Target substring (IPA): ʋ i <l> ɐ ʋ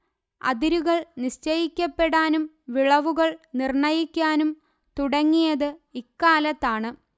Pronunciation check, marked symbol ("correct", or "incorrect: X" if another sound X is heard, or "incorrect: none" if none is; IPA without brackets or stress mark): incorrect: ɭ